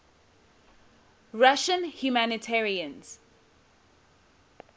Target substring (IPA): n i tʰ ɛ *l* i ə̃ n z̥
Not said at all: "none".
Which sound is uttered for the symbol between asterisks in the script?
ɹ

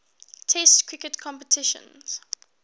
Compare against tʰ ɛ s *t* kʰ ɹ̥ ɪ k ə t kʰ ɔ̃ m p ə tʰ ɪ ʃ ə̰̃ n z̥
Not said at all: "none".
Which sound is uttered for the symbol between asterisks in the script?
t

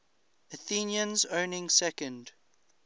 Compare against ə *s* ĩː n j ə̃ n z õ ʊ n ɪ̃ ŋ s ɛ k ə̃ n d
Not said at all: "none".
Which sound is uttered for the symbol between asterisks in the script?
θ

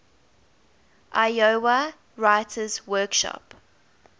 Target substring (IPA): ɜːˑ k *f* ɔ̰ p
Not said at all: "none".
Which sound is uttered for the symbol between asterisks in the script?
ʃ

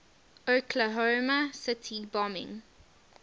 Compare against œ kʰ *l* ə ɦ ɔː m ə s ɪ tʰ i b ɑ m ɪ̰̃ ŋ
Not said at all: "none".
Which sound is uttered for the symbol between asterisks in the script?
l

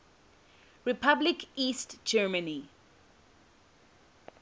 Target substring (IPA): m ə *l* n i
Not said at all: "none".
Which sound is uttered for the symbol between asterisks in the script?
none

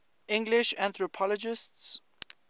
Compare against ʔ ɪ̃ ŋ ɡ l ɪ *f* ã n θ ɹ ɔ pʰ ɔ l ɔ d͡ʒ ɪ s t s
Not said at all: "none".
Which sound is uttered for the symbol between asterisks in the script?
ʃ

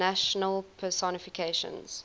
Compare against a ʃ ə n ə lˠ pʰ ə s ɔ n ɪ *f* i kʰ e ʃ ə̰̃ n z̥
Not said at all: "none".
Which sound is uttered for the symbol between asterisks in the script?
f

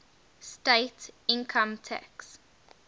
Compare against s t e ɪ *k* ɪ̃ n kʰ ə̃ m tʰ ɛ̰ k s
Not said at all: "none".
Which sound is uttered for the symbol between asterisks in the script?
t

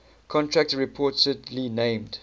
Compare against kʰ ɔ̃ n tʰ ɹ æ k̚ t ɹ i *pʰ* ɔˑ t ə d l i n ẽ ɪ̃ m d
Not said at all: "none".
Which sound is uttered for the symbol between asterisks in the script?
pʰ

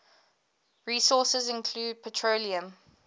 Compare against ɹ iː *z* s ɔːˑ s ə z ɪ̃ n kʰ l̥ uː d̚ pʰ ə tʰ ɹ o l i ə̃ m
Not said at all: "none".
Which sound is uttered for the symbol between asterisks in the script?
none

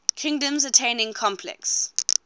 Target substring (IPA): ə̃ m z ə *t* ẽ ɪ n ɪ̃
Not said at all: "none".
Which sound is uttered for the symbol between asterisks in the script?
tʰ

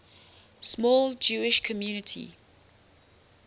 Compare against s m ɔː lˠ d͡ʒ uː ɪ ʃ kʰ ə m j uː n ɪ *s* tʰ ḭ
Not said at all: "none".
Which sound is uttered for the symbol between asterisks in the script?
none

